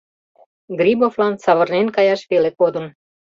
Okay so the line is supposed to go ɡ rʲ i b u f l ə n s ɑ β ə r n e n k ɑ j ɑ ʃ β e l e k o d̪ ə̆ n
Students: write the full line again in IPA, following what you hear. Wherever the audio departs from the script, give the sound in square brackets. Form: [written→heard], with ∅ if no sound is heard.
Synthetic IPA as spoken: ɡ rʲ i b [u→o] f l [ə→ɑ] n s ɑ β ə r n e n k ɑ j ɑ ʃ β e l e k o d̪ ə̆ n